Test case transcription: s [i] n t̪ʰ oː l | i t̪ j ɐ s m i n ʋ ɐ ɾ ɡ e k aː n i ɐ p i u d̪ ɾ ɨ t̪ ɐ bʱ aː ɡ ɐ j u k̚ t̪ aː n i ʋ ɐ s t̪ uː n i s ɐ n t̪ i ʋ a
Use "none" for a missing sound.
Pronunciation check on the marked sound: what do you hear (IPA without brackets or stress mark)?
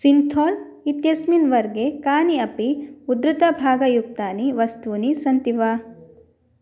i